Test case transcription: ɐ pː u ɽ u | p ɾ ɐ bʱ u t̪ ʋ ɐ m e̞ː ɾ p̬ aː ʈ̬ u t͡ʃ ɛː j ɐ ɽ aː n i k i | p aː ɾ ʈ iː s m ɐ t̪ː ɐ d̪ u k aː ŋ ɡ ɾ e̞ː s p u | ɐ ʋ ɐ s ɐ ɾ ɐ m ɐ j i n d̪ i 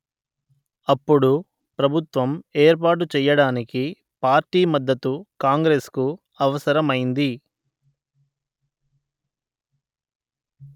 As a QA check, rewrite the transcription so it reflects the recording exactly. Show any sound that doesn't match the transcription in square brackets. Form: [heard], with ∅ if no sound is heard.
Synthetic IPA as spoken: ɐ pː u ɽ u | p ɾ ɐ bʱ u t̪ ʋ ɐ m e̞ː ɾ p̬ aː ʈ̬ u t͡ʃ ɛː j ɐ ɽ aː n i k i | p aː ɾ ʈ iː [∅] m ɐ [d̪ː] ɐ [t̪] u k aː ŋ ɡ ɾ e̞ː s [k] u | ɐ ʋ ɐ s ɐ ɾ ɐ m ɐ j i n d̪ i